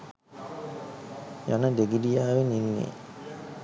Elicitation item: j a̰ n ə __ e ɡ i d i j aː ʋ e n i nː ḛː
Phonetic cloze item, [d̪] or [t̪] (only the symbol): d̪